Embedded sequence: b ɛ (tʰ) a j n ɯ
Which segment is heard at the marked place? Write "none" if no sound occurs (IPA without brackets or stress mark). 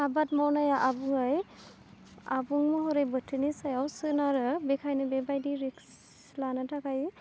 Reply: kʰ